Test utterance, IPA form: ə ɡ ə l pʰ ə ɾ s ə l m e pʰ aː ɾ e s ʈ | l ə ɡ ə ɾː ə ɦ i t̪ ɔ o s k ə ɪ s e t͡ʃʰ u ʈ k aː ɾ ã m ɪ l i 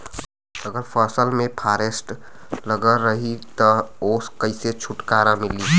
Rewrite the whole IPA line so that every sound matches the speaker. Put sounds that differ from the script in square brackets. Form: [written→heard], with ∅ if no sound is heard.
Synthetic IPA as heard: ə ɡ ə [l→ɾ] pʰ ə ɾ s ə l m e pʰ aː ɾ e s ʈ | l ə ɡ ə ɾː ə ɦ i t̪ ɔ o s k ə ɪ s e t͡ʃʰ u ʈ k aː ɾ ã m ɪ l i